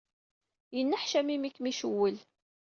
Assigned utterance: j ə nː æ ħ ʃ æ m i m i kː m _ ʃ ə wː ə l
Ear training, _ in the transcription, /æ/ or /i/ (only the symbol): i